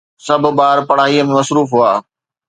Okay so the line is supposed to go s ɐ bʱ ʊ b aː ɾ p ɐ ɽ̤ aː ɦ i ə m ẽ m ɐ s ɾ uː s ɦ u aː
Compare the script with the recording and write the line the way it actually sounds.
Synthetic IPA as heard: s ɐ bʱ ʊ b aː ɾ p ɐ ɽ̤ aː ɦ i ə m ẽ m ɐ s ɾ uː f ɦ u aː